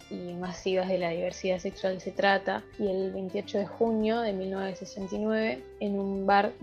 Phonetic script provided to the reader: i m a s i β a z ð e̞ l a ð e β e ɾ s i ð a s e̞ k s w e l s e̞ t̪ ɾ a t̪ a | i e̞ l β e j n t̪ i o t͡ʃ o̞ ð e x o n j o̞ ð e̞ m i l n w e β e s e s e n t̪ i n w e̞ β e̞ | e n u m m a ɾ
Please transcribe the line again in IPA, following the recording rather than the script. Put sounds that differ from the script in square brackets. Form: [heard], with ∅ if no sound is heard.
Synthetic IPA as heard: i m a s i β a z ð e̞ l a ð [i] β e ɾ s i ð a s e̞ k s w [a] l s e̞ t̪ ɾ a t̪ a | i e̞ l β e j n t̪ i o t͡ʃ o̞ ð e x [u] n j o̞ ð e̞ m i l n w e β e s e s e n t̪ i n w e̞ β e̞ | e n u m [b] a ɾ